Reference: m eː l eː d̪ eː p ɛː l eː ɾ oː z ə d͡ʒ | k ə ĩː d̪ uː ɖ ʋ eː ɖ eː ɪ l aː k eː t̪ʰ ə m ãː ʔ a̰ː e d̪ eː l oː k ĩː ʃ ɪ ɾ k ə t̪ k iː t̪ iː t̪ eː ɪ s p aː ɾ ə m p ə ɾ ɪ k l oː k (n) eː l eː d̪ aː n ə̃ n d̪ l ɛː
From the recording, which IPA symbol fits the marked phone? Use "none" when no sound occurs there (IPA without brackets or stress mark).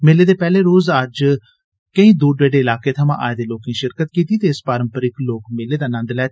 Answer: m